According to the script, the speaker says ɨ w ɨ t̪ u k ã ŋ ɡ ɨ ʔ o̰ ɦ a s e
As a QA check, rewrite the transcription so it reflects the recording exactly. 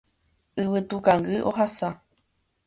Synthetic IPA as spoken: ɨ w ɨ t̪ u k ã ŋ ɡ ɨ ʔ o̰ ɦ a s a